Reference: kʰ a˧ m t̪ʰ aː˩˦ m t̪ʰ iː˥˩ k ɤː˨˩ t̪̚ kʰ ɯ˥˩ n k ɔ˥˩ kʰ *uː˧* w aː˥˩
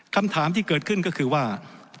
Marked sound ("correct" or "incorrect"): incorrect